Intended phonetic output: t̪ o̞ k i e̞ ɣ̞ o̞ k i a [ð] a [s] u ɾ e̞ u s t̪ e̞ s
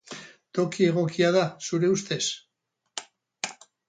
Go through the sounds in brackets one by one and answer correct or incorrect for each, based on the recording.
correct, correct

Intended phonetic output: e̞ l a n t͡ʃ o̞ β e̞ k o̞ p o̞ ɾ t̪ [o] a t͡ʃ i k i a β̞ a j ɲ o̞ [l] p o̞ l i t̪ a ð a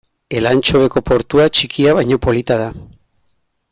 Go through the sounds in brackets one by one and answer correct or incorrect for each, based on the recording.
incorrect: u, incorrect: none

